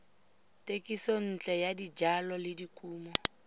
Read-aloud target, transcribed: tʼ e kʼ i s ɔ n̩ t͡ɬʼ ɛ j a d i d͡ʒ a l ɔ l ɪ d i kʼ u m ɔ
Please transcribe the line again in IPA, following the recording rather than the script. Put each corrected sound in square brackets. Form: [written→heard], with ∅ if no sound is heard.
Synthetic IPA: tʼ e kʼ i s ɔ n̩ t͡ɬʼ ɛ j a d i d͡ʒ a l ɔ l ɪ d i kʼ [u→uː] m ɔ